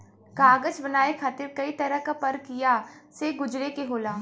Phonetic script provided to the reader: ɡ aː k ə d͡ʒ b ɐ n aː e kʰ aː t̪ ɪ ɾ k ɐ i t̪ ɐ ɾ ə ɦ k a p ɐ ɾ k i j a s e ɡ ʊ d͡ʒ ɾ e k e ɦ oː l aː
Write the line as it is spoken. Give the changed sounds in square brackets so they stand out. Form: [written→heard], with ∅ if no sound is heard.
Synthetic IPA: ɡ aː [k→ɡ] ə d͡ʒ b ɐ n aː e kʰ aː t̪ ɪ ɾ k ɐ i t̪ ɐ ɾ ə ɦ k a p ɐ ɾ k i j a s e ɡ ʊ d͡ʒ ɾ e k e ɦ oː l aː